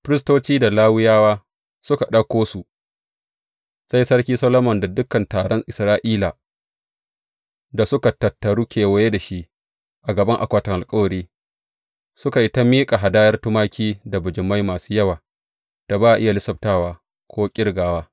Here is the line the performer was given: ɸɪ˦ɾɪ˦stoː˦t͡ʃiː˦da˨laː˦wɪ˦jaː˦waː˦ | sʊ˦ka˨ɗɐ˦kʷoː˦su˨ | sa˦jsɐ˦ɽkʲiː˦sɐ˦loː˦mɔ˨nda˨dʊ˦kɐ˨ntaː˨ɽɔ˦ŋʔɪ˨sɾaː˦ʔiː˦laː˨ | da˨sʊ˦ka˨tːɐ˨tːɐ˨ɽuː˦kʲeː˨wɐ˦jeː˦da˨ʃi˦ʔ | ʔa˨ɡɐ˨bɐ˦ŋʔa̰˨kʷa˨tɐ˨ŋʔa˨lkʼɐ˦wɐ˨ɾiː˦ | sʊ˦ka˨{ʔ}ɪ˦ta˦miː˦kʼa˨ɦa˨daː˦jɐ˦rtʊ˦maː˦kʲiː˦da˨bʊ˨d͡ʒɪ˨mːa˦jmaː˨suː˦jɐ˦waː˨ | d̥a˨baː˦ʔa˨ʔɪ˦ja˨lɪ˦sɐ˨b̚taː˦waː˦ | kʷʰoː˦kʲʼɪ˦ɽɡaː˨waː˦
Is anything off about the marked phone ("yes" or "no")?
no